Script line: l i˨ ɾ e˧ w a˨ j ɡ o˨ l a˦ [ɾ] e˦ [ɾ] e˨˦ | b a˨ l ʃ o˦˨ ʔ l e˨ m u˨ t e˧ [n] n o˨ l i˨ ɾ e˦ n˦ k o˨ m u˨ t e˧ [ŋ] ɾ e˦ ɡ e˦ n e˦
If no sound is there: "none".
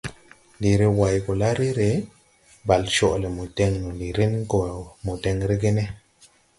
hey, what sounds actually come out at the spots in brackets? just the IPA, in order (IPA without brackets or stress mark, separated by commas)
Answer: ɾ, ɾ, ŋ, ŋ